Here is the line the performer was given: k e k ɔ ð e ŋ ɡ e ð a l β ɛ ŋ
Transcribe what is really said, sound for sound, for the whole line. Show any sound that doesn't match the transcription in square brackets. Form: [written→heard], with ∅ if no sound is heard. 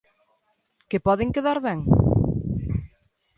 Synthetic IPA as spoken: k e [k→p] ɔ ð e ŋ [ɡ→k] e ð a [l→ɾ] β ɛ ŋ